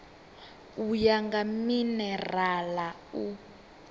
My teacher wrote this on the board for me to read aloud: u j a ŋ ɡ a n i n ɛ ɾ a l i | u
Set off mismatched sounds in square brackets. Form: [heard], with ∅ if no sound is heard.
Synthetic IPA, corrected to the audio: u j a ŋ ɡ a [m] i n ɛ [r] a l [a] | u